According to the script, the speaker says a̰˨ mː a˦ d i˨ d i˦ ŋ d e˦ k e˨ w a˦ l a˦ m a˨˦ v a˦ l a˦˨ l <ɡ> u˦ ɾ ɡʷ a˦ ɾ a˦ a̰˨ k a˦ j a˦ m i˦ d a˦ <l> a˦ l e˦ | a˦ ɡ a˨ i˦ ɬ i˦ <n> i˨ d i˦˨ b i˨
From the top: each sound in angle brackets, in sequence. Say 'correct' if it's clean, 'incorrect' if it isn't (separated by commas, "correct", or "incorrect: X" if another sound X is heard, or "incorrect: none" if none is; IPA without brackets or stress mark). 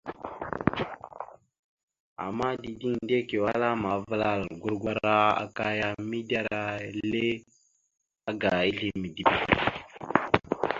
correct, incorrect: ɾ, incorrect: m